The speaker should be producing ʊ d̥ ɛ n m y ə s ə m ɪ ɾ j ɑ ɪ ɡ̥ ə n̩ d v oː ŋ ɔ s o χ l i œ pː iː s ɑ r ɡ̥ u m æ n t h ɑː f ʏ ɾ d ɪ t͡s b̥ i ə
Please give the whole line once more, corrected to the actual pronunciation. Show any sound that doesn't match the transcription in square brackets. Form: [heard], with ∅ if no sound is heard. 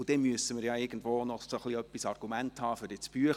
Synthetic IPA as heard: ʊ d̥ ɛ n m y ə s ə m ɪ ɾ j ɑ ɪ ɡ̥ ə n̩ d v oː [n] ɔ s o χ l i œ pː [i] s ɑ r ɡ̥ u m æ n t h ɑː f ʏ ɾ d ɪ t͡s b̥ [y] ə